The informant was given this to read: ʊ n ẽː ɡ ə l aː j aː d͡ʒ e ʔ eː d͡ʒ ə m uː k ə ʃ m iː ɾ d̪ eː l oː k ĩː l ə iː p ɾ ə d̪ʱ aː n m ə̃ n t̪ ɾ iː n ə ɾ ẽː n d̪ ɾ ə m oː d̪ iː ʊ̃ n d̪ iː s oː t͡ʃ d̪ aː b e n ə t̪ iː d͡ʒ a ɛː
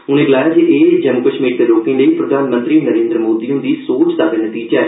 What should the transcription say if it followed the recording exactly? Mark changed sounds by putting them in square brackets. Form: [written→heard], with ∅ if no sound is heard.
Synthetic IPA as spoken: ʊ n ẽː ɡ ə l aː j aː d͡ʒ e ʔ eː d͡ʒ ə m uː k ə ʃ m iː ɾ d̪ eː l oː k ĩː l ə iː p ɾ ə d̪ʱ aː n m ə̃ n t̪ ɾ iː n ə ɾ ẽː n d̪ ɾ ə m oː d̪ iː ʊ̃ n d̪ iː s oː t͡ʃ d̪ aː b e n ə t̪ iː d͡ʒ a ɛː